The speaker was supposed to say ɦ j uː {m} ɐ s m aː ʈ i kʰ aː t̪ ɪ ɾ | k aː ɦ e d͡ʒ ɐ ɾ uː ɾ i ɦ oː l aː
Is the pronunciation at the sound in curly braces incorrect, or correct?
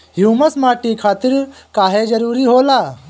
correct